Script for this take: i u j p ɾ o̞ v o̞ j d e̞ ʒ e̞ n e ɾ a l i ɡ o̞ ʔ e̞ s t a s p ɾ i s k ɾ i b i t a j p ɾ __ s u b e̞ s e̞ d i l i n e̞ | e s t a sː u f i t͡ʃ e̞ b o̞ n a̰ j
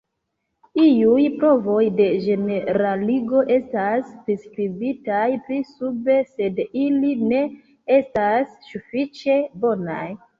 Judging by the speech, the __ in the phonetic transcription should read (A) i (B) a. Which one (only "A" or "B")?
A